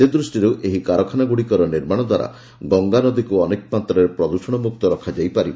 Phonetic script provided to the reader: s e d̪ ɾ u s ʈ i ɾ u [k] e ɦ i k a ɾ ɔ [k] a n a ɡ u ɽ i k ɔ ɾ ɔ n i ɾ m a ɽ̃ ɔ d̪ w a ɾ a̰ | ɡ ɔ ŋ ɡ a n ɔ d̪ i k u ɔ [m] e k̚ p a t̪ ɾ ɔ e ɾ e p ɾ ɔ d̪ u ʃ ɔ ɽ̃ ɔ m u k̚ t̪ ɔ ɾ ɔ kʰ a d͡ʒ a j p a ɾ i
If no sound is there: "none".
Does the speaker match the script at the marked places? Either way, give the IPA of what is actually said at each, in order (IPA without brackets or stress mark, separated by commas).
ʔ, kʰ, n